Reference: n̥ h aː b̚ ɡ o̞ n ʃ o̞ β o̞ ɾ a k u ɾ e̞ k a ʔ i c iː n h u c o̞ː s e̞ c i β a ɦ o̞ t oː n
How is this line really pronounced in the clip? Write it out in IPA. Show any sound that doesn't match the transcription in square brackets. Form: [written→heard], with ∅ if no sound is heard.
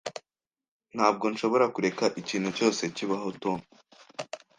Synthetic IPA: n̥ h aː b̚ ɡ o̞ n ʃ o̞ β o̞ ɾ a k u ɾ e̞ k a ʔ i c iː n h u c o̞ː s e̞ c i β a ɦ o̞ t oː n

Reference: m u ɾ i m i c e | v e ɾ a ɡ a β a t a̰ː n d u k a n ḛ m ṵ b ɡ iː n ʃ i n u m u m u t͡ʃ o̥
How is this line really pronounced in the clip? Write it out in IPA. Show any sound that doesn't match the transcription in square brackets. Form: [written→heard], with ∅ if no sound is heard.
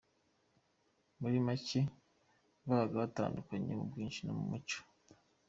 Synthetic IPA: m u ɾ i m [i→a] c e | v [e→a] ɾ a ɡ a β a t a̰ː n d u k a [n→ɲ] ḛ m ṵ b ɡ iː n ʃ i n [u→o] m u m u t͡ʃ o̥

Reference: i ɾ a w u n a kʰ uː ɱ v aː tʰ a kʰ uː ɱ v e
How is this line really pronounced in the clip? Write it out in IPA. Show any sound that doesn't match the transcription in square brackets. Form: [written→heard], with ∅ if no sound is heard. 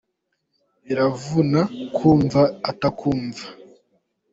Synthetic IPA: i ɾ a [w→v] u n a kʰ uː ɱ v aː [tʰ→t] a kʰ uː ɱ v [e→a]

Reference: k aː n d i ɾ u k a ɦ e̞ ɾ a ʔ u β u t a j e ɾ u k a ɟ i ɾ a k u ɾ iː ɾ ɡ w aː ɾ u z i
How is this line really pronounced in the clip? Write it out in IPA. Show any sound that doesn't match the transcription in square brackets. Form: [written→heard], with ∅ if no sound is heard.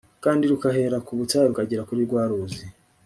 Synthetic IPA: k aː n d i ɾ u k a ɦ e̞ ɾ a [ʔ→k] u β u t a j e ɾ u k a ɟ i ɾ a k u ɾ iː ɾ ɡ w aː ɾ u z i

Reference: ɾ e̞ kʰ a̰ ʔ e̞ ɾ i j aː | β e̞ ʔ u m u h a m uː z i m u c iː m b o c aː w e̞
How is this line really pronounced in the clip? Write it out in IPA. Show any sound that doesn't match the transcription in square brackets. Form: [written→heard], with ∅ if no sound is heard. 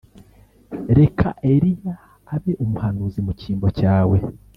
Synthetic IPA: ɾ e̞ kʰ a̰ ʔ e̞ ɾ i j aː | β e̞ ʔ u m u h a [m→n] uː z i m u c iː m b o c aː w e̞

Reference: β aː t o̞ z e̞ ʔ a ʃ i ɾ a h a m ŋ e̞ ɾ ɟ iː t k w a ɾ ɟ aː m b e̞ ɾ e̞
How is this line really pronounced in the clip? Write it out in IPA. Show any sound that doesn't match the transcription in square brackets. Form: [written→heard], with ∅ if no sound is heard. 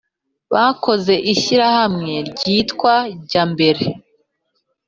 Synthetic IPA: β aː [t→k] o̞ z e̞ ʔ [a→i] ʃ i ɾ a h a m ŋ e̞ ɾ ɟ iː t k w a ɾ ɟ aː m b e̞ ɾ e̞

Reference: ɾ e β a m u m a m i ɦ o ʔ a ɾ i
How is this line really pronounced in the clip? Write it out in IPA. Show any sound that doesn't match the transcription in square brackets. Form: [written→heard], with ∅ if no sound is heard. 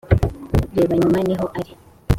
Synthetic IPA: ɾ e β a [m→ɲ] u m a [m→n] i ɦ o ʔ a ɾ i

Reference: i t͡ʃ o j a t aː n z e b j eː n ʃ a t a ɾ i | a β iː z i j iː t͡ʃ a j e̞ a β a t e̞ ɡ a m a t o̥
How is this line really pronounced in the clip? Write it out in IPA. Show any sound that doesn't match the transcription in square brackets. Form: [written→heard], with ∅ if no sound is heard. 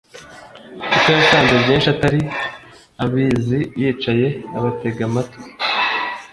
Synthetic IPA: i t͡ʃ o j a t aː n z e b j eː n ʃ a t a ɾ i | a β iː z i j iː t͡ʃ a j e̞ a β a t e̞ ɡ a m a t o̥

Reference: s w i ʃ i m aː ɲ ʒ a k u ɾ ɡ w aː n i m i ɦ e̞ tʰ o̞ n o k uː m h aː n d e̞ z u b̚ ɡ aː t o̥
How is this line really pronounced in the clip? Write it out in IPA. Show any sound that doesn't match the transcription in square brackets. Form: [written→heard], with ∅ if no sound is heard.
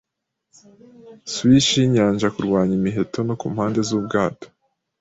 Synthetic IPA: s w i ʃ i [m→ɲ] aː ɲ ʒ a k u ɾ ɡ w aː [n→ɲ] i m i ɦ e̞ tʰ o̞ n o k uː m h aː n d e̞ z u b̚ ɡ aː t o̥

